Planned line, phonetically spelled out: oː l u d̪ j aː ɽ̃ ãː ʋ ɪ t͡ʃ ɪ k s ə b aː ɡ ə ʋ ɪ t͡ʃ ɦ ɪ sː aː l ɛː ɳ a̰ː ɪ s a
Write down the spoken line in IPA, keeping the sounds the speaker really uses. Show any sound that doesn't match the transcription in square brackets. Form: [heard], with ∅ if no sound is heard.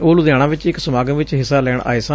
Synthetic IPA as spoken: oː l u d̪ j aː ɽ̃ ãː ʋ ɪ t͡ʃ ɪ k s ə [m] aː ɡ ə ʋ ɪ t͡ʃ ɦ ɪ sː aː l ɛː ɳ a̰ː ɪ s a

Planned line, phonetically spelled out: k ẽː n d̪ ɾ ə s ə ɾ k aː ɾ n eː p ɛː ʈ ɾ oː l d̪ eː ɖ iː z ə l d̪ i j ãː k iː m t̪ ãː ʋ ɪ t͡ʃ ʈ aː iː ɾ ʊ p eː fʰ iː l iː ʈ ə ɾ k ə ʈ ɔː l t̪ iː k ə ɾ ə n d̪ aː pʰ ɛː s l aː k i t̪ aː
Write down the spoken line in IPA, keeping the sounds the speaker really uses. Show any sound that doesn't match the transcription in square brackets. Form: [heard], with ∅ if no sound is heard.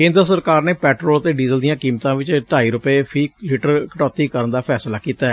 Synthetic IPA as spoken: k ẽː n d̪ ɾ ə s ə ɾ k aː ɾ n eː p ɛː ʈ ɾ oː l [t̪] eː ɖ iː z ə l d̪ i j ãː k iː m t̪ ãː ʋ ɪ t͡ʃ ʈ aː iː ɾ ʊ p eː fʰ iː l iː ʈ ə ɾ k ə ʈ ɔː [∅] t̪ iː k ə ɾ ə n d̪ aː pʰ ɛː s l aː k [iː] t̪ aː

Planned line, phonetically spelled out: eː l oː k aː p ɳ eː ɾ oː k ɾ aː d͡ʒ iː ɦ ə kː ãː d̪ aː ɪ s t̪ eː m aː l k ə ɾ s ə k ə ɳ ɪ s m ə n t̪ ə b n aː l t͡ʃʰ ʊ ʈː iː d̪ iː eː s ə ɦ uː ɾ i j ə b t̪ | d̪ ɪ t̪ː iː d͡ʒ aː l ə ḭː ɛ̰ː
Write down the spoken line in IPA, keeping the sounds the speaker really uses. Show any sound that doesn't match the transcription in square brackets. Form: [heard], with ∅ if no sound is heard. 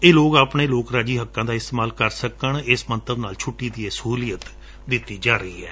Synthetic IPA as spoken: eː l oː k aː p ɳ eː [l] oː k ɾ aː d͡ʒ iː ɦ ə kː ãː d̪ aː ɪ s t̪ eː m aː l k ə ɾ s ə k ə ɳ ɪ s m ə n t̪ ə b n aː l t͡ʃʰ ʊ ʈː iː d̪ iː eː s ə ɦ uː [l] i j ə [∅] t̪ | d̪ ɪ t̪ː iː d͡ʒ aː [ɾ] ə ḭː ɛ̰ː

